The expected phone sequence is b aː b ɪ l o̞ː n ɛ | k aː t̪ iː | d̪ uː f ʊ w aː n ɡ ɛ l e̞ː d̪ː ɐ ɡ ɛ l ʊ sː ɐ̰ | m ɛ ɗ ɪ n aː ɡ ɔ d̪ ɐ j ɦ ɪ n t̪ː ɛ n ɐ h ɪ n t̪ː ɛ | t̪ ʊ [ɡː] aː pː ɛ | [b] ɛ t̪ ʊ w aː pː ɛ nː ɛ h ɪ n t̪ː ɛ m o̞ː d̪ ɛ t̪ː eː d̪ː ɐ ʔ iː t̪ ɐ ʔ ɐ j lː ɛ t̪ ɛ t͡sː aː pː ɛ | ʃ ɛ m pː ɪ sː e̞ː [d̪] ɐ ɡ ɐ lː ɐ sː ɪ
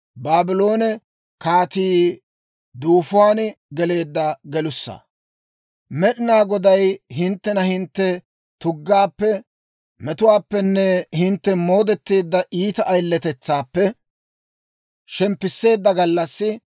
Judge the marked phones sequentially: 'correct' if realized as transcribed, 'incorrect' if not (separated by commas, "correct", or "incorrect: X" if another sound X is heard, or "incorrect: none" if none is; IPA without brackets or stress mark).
correct, incorrect: m, incorrect: d̪ː